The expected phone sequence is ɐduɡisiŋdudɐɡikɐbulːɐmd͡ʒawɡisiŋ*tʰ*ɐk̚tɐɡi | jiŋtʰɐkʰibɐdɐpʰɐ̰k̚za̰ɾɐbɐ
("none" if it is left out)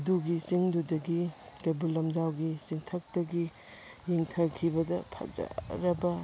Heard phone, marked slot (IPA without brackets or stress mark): tʰ